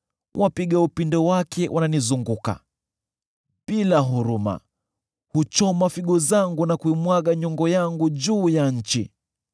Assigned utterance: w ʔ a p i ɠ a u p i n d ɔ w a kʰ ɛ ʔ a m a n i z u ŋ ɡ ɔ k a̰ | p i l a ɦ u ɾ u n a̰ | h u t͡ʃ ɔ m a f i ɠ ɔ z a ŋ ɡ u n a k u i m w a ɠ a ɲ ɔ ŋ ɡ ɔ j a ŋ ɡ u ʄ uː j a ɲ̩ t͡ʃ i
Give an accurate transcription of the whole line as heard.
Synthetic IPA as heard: w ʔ a p i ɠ a u p i n d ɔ w a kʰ ɛ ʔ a n a n i z u ŋ ɡ u k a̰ | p i l a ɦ u ɾ u m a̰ | h u t͡ʃ ɔ m a f i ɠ ɔ z a ŋ ɡ u n a k u i m w a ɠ a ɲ ɔ ŋ ɡ ɔ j a ŋ ɡ u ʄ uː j a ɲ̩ t͡ʃ i